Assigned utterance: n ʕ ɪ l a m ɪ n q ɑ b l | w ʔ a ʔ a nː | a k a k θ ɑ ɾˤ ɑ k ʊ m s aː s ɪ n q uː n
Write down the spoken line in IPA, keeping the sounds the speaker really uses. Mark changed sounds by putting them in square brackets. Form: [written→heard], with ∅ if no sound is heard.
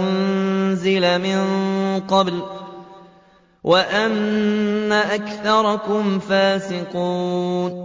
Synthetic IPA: n [ʕ→z] ɪ l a m ɪ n q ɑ b l | w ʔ a ʔ a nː | a [k→ʔ] a k θ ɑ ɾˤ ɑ k ʊ m [s→f] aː s ɪ [n→∅] q uː n